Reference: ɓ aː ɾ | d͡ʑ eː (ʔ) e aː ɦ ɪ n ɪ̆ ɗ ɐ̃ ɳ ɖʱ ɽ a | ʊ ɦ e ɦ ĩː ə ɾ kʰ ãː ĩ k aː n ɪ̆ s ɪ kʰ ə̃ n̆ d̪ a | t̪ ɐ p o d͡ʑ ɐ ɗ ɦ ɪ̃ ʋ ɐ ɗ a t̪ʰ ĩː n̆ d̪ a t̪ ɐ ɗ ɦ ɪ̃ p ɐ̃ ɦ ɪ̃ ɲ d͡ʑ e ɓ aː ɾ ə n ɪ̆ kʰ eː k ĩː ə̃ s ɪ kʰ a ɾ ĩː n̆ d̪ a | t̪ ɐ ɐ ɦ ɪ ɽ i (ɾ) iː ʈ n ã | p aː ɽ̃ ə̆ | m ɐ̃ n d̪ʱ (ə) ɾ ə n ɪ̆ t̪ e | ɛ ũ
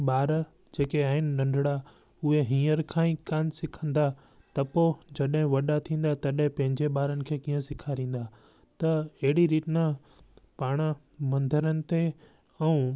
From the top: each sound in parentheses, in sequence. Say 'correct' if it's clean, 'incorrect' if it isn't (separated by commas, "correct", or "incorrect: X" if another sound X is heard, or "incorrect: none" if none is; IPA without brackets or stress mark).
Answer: incorrect: k, correct, correct